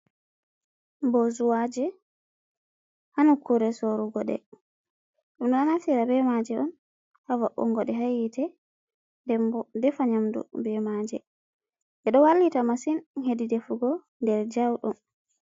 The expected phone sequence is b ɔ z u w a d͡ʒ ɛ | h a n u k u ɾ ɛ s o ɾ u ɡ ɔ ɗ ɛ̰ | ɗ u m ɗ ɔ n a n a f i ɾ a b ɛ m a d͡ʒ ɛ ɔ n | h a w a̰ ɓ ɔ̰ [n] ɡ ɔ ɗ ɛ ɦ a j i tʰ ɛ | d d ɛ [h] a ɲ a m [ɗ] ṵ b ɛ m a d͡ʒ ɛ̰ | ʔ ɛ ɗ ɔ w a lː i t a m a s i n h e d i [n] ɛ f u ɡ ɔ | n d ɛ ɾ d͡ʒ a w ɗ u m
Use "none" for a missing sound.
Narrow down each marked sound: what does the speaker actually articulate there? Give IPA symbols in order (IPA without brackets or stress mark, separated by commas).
ŋ, f, d, d